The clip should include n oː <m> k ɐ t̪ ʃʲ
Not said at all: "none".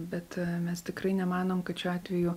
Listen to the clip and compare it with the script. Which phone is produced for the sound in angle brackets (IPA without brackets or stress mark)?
m